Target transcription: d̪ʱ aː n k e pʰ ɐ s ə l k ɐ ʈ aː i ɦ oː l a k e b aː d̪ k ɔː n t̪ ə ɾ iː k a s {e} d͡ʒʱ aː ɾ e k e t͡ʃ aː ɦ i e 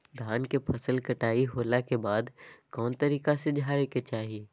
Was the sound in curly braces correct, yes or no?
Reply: yes